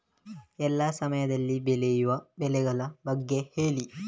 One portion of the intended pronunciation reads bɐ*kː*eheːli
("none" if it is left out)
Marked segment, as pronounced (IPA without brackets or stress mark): ɡː